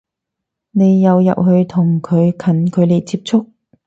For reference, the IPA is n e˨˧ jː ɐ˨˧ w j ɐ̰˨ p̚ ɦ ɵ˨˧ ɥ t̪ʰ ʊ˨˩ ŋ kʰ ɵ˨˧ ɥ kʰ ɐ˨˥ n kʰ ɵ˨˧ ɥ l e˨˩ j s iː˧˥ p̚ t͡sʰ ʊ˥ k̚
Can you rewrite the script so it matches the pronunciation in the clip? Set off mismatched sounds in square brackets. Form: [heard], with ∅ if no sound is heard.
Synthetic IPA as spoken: n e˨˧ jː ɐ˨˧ w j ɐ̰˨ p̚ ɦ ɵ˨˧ ɥ t̪ʰ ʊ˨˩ ŋ kʰ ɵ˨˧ ɥ kʰ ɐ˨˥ n kʰ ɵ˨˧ ɥ l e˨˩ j [t͡s] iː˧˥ p̚ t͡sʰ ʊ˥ k̚